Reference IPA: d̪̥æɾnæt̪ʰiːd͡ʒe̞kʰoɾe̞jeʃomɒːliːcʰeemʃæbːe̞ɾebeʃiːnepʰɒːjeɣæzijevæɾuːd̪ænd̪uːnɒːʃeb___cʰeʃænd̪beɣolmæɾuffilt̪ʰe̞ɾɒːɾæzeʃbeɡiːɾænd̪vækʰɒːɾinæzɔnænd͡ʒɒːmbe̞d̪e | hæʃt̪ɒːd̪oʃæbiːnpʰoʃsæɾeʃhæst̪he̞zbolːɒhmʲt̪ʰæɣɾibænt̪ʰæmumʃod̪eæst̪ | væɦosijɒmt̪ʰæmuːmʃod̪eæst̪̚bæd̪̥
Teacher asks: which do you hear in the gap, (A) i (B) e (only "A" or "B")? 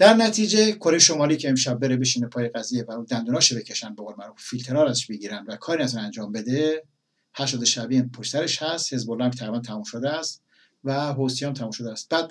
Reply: B